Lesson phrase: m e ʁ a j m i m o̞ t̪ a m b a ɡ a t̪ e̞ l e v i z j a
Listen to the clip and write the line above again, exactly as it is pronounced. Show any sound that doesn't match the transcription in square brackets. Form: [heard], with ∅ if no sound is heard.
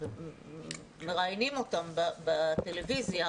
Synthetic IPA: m e ʁ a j [n] i m o̞ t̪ a m b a [b] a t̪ e̞ l e v i z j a